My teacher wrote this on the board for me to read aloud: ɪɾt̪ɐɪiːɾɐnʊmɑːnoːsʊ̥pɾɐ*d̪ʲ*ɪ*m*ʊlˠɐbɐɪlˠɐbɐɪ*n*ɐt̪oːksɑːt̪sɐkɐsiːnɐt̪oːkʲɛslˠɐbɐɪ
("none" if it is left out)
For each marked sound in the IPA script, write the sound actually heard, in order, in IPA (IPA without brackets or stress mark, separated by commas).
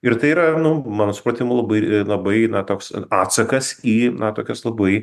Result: t̪ʲ, m, n